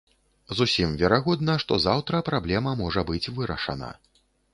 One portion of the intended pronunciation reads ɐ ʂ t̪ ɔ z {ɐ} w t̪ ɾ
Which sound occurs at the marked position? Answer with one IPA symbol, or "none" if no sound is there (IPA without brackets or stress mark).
a